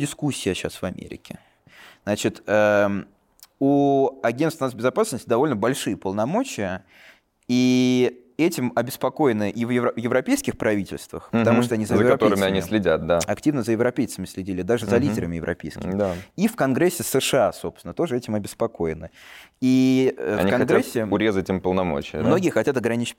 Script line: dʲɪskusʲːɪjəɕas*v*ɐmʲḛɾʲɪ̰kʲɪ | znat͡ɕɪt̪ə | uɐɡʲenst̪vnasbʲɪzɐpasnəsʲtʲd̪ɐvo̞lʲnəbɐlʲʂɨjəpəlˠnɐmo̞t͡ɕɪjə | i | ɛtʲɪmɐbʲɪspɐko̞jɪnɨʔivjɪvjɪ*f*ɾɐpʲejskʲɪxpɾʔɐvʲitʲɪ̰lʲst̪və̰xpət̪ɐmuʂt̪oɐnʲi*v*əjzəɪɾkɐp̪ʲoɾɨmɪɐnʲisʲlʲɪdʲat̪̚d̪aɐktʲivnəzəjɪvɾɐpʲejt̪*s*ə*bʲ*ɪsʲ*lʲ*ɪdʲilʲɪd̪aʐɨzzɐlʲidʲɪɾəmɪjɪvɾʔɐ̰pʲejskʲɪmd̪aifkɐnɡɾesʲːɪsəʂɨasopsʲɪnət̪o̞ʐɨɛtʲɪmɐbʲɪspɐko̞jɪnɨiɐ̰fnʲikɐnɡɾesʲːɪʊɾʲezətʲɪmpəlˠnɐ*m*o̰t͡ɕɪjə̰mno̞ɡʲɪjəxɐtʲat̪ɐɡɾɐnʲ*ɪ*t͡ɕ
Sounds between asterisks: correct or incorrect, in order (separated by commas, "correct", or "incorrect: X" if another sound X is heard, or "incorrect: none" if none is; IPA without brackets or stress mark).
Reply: correct, incorrect: v, incorrect: z, correct, incorrect: mʲ, correct, correct, incorrect: i